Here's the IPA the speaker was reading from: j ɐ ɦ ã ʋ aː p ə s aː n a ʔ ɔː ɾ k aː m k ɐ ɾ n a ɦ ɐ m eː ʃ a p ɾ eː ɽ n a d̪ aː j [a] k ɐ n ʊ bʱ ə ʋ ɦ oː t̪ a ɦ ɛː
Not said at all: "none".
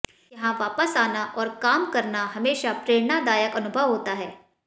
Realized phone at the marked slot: ə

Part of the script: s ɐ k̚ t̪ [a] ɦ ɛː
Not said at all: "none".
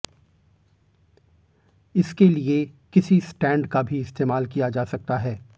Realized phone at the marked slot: a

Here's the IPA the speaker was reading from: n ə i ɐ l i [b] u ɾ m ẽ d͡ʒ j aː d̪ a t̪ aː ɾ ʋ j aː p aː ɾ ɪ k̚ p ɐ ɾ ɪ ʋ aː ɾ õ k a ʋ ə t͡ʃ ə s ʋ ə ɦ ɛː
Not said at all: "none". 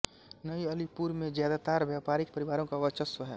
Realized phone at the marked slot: p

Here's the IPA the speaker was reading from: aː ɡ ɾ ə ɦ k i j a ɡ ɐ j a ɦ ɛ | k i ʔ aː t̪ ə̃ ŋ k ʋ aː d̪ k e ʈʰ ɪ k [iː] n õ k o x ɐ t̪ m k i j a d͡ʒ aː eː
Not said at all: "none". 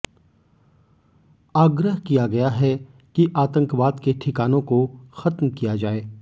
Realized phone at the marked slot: aː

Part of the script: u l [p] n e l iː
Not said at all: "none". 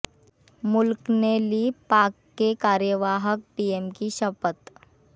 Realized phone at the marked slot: k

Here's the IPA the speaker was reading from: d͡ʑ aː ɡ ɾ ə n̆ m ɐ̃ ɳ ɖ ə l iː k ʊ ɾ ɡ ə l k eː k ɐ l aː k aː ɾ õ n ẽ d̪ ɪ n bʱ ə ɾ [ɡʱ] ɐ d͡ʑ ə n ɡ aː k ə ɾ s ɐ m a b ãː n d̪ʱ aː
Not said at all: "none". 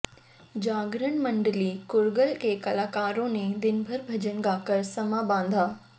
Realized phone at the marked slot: bʱ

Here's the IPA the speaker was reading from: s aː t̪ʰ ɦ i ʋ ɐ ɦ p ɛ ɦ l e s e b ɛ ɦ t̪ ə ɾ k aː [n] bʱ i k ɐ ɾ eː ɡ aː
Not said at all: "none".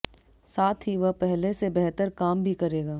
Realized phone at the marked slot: m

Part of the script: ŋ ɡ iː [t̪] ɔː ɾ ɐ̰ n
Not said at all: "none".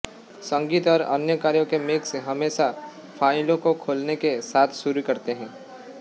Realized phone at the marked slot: t̪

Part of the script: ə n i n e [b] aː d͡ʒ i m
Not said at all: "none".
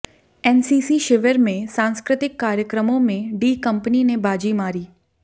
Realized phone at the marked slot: b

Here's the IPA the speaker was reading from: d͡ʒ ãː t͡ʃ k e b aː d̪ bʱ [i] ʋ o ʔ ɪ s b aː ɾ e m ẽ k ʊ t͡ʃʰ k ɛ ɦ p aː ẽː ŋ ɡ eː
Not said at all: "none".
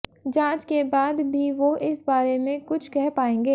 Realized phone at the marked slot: i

